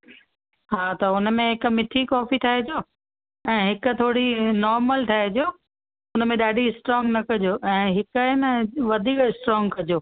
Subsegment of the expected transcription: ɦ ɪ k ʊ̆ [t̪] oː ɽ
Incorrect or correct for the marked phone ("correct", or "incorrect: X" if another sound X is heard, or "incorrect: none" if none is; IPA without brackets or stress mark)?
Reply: incorrect: t̪ʰ